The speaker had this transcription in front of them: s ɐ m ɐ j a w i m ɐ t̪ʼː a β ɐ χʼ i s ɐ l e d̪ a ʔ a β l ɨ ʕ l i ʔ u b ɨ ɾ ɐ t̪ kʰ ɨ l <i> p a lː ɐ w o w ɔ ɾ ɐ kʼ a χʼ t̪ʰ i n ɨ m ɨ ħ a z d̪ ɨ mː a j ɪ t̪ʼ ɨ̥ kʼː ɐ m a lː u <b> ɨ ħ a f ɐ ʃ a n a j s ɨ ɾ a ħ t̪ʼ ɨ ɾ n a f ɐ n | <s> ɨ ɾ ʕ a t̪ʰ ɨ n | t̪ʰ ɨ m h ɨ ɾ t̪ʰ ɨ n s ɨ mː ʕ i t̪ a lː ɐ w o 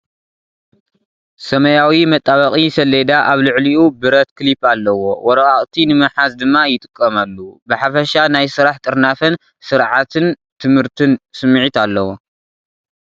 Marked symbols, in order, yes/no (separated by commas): yes, yes, yes